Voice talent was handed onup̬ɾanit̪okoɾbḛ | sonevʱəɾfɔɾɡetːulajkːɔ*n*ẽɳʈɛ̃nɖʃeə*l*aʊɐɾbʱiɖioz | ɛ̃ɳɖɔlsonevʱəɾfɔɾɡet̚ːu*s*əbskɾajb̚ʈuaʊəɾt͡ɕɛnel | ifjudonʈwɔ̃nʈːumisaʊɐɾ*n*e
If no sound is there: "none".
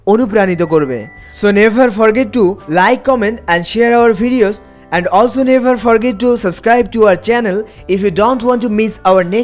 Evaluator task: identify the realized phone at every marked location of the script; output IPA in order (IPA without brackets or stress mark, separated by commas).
m, ɾ, s, n